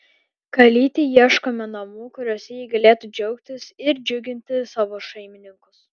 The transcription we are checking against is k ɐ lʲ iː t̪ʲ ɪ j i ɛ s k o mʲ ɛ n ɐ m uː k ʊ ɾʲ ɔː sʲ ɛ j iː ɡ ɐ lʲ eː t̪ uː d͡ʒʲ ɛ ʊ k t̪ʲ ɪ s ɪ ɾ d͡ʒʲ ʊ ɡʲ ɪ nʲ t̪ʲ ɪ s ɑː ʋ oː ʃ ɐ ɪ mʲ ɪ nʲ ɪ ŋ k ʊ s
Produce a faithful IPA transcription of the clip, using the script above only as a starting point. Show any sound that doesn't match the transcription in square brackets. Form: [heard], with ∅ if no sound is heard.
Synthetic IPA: k ɐ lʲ iː t̪ʲ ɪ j i ɛ [ʃ] k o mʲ ɛ n ɐ m uː k ʊ ɾʲ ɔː sʲ ɛ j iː ɡ ɐ lʲ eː t̪ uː d͡ʒʲ ɛ ʊ k t̪ʲ ɪ s ɪ ɾ d͡ʒʲ ʊ ɡʲ ɪ nʲ t̪ʲ ɪ s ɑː ʋ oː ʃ ɐ ɪ mʲ ɪ nʲ ɪ ŋ k ʊ s